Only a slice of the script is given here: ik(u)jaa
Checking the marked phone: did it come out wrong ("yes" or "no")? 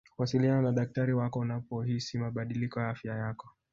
yes